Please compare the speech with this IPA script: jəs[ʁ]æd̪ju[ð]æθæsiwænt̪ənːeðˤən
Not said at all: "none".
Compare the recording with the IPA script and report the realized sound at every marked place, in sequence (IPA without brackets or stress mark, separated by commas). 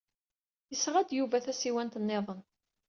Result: ʁ, v